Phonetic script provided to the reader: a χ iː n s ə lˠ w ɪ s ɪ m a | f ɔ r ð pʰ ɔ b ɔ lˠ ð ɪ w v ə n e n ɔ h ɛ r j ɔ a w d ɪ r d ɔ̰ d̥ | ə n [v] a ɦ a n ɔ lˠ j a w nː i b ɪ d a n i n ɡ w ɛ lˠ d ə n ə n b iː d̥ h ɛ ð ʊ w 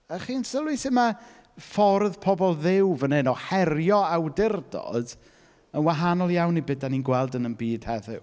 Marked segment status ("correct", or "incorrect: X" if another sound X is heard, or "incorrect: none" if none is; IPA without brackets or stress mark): incorrect: w